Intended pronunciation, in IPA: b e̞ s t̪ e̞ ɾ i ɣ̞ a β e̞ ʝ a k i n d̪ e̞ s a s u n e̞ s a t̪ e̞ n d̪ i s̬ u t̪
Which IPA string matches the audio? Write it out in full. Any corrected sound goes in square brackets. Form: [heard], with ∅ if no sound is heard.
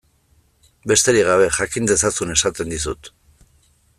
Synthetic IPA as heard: b e̞ s t̪ e̞ ɾ i ɣ̞ a β e̞ ʝ a k i n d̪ e̞ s a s u n e̞ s a t̪ e̞ n d̪ i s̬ u t̪